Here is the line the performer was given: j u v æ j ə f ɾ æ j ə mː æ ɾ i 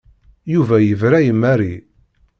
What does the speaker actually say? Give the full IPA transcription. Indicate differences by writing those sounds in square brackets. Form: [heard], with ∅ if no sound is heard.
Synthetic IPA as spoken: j u v æ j ə [v] ɾ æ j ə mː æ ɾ i